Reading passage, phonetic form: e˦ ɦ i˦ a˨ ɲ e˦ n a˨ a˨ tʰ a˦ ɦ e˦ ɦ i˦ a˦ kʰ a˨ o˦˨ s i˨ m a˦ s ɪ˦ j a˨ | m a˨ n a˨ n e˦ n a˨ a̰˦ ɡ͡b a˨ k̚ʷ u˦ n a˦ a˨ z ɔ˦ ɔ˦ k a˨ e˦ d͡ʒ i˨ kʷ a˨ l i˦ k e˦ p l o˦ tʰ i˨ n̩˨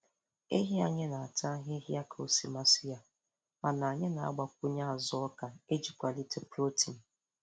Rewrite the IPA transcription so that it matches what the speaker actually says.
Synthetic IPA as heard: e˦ ɦ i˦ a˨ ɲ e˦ n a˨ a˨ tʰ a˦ ɦ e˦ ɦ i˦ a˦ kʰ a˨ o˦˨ s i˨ m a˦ s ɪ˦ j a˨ | m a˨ n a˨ ɲ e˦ n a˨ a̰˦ ɡ͡b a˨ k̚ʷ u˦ ɲ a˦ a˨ z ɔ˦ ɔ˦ k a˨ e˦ d͡ʒ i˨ kʷ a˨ l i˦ t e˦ p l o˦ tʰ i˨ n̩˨